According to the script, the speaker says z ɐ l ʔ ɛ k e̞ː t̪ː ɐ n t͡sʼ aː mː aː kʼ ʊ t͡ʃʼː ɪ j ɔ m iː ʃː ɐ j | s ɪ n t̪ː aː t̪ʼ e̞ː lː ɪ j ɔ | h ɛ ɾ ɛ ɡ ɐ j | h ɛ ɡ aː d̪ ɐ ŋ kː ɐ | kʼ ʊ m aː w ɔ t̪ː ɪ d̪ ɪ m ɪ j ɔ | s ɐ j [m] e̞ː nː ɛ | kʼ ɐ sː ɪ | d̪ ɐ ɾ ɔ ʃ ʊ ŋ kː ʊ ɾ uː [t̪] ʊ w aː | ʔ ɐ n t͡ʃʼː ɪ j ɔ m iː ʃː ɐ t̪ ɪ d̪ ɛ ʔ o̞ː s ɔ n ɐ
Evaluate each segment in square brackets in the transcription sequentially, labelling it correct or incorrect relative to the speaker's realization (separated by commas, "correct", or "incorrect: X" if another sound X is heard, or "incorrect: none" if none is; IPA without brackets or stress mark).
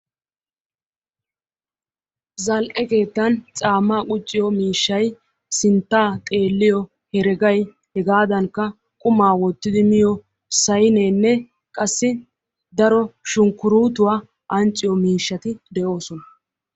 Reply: incorrect: n, correct